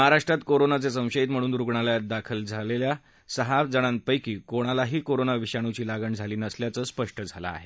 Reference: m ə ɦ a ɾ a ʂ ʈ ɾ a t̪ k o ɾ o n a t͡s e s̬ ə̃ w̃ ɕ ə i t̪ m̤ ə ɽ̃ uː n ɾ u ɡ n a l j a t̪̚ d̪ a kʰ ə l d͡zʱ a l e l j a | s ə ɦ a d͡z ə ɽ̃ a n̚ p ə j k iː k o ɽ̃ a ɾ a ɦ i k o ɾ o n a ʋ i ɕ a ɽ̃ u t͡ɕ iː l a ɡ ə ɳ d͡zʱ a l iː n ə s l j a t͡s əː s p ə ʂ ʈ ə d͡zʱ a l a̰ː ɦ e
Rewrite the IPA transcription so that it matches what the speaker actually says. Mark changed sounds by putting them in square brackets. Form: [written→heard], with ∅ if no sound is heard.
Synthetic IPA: m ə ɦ a ɾ a ʂ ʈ ɾ a t̪ k o ɾ o n a t͡s e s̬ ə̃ w̃ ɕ ə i t̪ m̤ ə ɽ̃ uː n ɾ u ɡ [n→ɳ] a l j a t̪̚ d̪ a kʰ ə l d͡zʱ a l e l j a | s ə ɦ a d͡z ə ɽ̃ a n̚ p ə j k iː k o ɽ̃ a [ɾ→l] a ɦ [i→iː] k o ɾ o n a ʋ i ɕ a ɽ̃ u t͡ɕ iː l a ɡ ə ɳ d͡zʱ a l iː n ə s l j a t͡s əː s p ə ʂ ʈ ə d͡zʱ a l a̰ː ɦ e

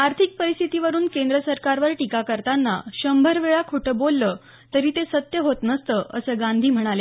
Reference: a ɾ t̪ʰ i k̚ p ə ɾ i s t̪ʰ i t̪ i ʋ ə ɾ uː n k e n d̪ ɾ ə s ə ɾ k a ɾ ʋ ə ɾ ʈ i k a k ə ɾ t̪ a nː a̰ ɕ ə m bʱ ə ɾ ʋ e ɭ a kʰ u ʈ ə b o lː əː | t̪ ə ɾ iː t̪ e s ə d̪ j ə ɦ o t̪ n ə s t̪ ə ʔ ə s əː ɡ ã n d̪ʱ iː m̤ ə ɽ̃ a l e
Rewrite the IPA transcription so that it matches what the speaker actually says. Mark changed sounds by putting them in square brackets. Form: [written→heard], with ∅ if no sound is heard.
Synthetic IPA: a ɾ t̪ʰ i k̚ p ə ɾ i s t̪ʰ i t̪ i ʋ ə ɾ uː n k e n d̪ ɾ ə s ə ɾ k a ɾ ʋ ə ɾ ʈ i k a k ə ɾ t̪ a nː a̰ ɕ ə m bʱ ə ɾ ʋ e ɭ a kʰ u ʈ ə b o lː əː | t̪ ə ɾ iː t̪ e s ə [d̪→t̪] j ə ɦ o t̪ n ə s t̪ ə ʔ ə s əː ɡ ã n d̪ʱ iː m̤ ə ɽ̃ a l e

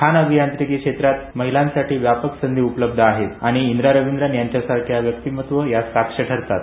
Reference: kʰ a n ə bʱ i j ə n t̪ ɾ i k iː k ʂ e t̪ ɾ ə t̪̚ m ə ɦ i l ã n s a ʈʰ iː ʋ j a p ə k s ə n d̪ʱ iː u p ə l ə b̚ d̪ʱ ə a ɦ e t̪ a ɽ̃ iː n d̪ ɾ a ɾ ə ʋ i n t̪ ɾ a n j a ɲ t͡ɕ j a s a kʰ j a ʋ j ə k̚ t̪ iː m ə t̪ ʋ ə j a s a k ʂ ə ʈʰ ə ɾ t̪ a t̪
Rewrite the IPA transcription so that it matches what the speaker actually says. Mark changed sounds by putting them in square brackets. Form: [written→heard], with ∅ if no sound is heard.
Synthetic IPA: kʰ a n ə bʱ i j [ə→a] n t̪ ɾ i k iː k ʂ e t̪ ɾ [ə→a] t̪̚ m ə ɦ i l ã n s a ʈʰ iː ʋ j a p ə k s ə n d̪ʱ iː u p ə l ə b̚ d̪ʱ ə a ɦ e t̪ a ɽ̃ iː n d̪ ɾ a ɾ ə ʋ i n [t̪→d̪] ɾ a n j a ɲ t͡ɕ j a s a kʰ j a ʋ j ə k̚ t̪ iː m ə t̪ ʋ ə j a s a k ʂ ə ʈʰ ə ɾ t̪ a t̪

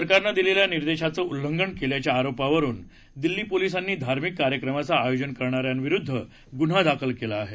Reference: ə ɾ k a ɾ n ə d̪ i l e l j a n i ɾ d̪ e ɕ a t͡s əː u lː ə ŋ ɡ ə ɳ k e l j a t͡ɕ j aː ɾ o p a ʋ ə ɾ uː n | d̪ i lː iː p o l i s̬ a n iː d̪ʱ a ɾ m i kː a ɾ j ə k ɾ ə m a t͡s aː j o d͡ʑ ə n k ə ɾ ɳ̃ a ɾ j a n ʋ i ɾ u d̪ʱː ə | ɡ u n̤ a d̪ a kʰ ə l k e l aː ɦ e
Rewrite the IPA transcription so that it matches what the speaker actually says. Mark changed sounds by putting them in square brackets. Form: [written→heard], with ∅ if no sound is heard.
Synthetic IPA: ə ɾ k a ɾ n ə d̪ i l e l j a n i ɾ d̪ e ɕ a t͡s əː u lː ə ŋ ɡ ə ɳ k e l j a t͡ɕ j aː ɾ o p a ʋ ə ɾ uː n | d̪ i lː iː p o l i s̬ a [n→nː] iː d̪ʱ a ɾ m i kː a ɾ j ə k ɾ ə m a t͡s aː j o d͡ʑ ə n k ə ɾ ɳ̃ a ɾ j a n ʋ i ɾ u d̪ʱː ə | ɡ u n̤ a d̪ a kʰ ə l k e l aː ɦ e

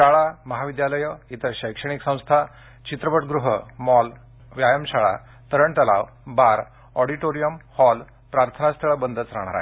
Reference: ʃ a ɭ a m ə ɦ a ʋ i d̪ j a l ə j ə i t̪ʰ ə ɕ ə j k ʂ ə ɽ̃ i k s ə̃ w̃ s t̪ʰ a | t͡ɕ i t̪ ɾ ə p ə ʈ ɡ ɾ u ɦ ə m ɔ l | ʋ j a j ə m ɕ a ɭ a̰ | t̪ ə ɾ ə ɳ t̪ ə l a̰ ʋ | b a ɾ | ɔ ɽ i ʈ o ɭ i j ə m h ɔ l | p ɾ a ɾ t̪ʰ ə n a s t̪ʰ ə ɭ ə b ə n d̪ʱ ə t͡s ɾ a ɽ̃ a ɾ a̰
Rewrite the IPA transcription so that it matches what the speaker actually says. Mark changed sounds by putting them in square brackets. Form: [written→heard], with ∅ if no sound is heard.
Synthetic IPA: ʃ a ɭ a m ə ɦ a ʋ i d̪ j a l ə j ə i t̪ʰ ə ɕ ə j k ʂ ə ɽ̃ i k s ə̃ w̃ s t̪ʰ a | t͡ɕ i t̪ ɾ ə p ə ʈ ɡ ɾ u ɦ ə m ɔ l | ʋ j a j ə m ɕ a ɭ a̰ | t̪ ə ɾ ə ɳ t̪ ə l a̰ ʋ | b a ɾ | ɔ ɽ i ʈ o [ɭ→ɾ] i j ə m h ɔ l | p ɾ a ɾ t̪ʰ ə n a s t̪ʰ ə ɭ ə b ə n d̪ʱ ə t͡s ɾ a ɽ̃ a ɾ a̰

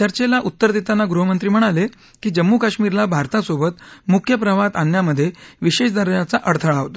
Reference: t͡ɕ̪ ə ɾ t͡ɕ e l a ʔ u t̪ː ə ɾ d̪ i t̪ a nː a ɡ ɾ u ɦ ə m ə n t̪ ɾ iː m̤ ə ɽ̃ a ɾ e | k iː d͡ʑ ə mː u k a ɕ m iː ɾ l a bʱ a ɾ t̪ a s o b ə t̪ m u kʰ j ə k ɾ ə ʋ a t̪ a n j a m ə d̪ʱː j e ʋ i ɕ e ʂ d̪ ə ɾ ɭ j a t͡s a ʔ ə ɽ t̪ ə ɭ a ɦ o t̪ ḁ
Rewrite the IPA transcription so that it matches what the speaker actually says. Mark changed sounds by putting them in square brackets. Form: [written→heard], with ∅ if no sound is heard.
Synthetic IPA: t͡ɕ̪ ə ɾ t͡ɕ e l a ʔ u t̪ː ə ɾ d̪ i t̪ a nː a ɡ ɾ u ɦ ə m ə n t̪ ɾ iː m̤ ə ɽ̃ a [ɾ→l] e | k iː d͡ʑ ə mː u k a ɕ m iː ɾ l a bʱ a ɾ t̪ a s o b ə t̪ m u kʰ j ə [k→p] ɾ ə ʋ a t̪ a n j a m ə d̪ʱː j e ʋ i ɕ e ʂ d̪ ə ɾ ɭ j a t͡s a ʔ ə ɽ [t̪→t̪ʰ] ə ɭ a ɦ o t̪ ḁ

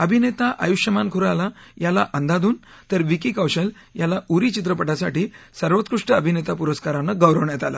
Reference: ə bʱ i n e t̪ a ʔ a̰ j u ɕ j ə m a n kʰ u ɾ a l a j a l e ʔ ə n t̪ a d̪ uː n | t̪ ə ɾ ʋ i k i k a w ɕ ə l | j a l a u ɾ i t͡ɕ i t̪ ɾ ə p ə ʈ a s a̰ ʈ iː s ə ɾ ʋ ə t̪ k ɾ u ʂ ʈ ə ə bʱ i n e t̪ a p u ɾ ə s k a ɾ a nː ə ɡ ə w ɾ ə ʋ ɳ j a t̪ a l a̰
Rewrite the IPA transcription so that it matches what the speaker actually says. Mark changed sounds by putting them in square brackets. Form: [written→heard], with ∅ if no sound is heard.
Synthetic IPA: ə bʱ i n e t̪ a ʔ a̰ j u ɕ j ə m a n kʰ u ɾ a l a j a l [e→a] ʔ ə n [t̪→d̪] a d̪ uː n | t̪ ə ɾ ʋ i k i k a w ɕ ə l | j a l a u ɾ i t͡ɕ i t̪ ɾ ə p ə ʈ a s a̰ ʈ iː s ə ɾ ʋ ə t̪ k ɾ u ʂ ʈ ə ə bʱ i n e t̪ a p u ɾ ə s k a ɾ a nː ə ɡ ə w ɾ ə ʋ ɳ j a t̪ a l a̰

